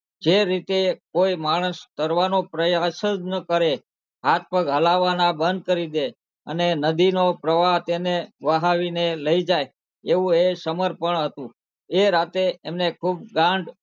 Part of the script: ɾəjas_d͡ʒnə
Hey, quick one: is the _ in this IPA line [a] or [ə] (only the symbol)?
ə